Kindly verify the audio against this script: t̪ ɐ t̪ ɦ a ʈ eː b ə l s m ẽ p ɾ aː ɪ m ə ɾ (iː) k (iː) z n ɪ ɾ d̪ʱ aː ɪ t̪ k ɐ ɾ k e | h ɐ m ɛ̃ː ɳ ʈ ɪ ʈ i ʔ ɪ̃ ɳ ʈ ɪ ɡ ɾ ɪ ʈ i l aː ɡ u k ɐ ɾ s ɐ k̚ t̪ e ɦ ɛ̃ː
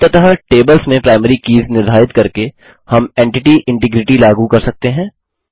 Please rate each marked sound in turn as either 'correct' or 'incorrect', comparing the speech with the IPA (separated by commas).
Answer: incorrect, correct